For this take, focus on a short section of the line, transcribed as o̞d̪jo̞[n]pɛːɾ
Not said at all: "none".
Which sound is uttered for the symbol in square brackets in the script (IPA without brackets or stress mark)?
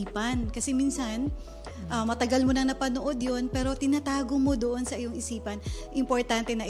n